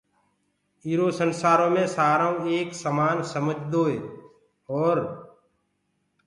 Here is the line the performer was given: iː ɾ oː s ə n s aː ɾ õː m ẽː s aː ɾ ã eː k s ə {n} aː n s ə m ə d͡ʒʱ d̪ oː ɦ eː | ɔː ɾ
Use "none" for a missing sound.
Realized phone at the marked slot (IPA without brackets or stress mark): m